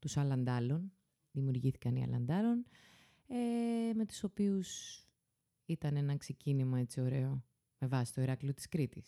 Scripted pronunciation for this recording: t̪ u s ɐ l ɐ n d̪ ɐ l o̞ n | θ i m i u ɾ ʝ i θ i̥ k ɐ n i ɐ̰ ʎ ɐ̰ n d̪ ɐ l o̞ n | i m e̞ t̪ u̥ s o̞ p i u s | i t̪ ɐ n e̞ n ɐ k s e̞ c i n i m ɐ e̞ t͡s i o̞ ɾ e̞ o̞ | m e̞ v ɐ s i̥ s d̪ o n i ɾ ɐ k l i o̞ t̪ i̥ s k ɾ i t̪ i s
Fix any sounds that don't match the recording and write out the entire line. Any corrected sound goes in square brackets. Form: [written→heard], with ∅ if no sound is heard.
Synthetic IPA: t̪ u s ɐ l ɐ n d̪ ɐ l o̞ n | [θ→ð] i m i u ɾ ʝ i θ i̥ k ɐ n i ɐ̰ [ʎ→l] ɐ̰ n d̪ ɐ l o̞ n | [i→e] m e̞ t̪ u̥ s o̞ p i u s | i t̪ ɐ n e̞ n ɐ k s e̞ c i n i m ɐ e̞ t͡s i o̞ ɾ e̞ o̞ | m e̞ v ɐ s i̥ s [d̪→t̪] o [n→∅] i ɾ ɐ k l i o̞ t̪ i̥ s k ɾ i t̪ i s